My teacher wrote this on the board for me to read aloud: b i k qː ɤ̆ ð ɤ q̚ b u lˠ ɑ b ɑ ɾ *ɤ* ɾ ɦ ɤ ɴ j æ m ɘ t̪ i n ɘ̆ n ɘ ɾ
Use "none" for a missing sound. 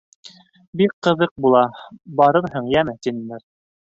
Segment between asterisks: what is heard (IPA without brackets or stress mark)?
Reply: ɤ